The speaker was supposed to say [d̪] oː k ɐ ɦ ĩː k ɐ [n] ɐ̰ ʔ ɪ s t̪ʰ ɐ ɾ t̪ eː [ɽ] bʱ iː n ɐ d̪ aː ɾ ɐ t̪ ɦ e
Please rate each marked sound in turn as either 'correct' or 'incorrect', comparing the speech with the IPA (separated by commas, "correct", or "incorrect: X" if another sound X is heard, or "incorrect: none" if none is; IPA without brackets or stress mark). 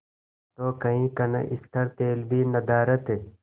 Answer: incorrect: t̪, correct, incorrect: l